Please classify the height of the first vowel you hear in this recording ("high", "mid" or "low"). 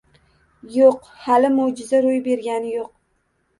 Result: mid